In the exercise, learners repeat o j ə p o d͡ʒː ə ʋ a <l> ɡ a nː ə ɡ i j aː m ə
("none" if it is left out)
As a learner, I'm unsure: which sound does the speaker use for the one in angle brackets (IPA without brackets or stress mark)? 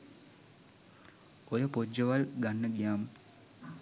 l